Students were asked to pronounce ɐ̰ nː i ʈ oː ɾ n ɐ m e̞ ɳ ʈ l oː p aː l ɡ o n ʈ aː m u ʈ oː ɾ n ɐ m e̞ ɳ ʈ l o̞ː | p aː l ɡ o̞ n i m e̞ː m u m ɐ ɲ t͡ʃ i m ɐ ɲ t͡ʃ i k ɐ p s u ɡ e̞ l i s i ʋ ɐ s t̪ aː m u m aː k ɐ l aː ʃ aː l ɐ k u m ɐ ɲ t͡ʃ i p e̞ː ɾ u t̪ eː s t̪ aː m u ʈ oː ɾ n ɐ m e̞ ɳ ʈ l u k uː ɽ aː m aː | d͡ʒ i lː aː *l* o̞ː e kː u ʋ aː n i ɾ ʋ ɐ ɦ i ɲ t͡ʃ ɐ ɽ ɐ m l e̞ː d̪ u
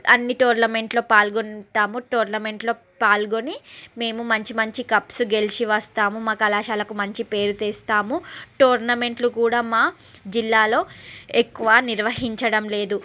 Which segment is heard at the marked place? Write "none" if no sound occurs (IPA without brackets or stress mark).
l